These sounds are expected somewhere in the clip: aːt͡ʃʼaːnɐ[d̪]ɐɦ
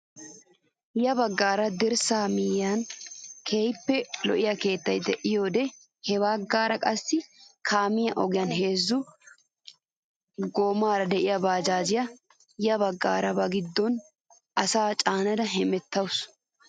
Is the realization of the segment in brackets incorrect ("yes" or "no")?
no